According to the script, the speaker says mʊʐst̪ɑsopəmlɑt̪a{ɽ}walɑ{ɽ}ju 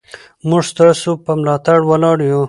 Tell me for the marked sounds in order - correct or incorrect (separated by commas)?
correct, correct